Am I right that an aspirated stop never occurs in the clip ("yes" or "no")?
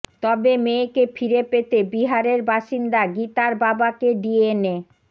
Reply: yes